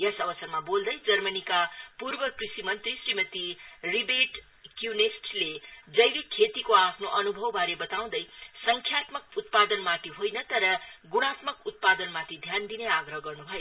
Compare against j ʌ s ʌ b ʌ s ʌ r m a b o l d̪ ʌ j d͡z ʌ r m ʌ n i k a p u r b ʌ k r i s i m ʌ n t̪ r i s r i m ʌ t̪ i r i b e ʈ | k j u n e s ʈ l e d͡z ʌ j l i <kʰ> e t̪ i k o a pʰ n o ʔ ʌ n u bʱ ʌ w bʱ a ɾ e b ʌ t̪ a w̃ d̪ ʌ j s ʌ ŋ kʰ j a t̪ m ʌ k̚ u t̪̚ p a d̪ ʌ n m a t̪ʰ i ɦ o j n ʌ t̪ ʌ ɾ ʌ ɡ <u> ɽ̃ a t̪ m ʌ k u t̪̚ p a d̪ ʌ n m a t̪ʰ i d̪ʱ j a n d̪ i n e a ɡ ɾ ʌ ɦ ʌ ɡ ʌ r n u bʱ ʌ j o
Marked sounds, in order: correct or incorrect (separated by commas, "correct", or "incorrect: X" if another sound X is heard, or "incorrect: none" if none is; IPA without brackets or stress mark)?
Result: correct, correct